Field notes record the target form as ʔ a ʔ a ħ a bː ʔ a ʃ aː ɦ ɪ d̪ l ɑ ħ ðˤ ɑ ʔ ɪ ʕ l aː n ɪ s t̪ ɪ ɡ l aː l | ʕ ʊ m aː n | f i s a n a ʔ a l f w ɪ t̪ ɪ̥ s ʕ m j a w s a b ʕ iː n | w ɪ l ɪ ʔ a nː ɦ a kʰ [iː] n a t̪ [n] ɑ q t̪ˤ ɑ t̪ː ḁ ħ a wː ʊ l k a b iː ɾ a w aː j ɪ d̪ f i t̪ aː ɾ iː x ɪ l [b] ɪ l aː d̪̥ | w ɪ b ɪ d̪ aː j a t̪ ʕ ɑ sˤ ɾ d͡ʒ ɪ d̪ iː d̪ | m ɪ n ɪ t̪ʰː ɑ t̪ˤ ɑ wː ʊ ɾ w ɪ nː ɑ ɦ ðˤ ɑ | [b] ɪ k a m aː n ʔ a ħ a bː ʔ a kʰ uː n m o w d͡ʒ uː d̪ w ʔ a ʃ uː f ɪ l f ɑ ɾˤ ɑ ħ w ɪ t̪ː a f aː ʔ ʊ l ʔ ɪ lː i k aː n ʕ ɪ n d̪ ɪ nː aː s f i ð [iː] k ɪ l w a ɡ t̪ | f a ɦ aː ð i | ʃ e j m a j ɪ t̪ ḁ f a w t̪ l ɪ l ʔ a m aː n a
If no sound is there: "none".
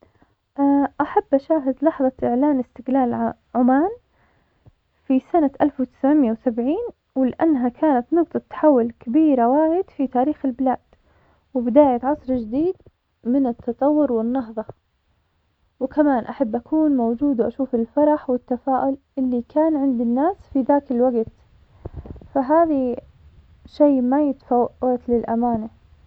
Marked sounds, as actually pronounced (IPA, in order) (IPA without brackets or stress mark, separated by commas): aː, n, b, w, aː